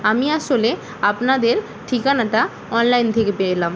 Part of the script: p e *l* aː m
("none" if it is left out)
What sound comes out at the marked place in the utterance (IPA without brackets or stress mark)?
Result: l